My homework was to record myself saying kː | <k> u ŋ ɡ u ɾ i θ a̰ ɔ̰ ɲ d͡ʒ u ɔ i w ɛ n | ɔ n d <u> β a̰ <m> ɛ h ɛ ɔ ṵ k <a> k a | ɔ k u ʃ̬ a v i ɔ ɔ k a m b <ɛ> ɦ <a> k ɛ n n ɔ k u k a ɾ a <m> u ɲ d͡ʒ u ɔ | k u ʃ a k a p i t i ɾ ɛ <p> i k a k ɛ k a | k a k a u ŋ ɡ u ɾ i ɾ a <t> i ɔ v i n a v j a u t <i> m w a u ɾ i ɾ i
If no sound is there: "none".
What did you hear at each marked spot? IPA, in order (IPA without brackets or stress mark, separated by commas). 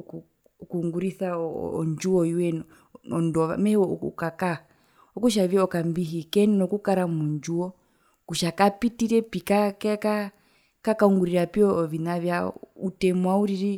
k, ɔ, m, a, i, i, m, p, p, ɛ